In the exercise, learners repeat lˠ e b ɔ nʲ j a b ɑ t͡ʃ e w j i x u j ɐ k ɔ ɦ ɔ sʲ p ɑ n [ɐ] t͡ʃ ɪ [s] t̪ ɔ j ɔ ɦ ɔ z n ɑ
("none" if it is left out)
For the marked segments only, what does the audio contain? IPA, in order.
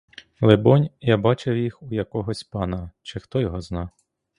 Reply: ɐ, x

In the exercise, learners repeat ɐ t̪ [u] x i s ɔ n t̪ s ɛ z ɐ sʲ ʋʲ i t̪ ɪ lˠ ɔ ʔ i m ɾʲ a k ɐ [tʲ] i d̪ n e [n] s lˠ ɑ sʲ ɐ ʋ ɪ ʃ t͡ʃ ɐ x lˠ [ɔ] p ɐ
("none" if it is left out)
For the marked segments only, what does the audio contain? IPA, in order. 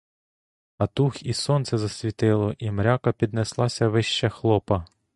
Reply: u, pʲ, none, ɔ

